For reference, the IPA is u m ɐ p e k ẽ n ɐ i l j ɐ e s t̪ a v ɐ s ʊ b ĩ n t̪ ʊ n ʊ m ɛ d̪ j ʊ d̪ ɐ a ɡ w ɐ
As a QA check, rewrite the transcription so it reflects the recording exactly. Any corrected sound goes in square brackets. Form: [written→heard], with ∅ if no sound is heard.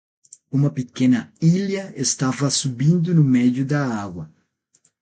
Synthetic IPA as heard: u m ɐ p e k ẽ n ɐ i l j ɐ e s t̪ a v ɐ s [ʊ→u] b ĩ n [t̪→d̪] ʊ n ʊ m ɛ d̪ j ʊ d̪ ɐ a ɡ w ɐ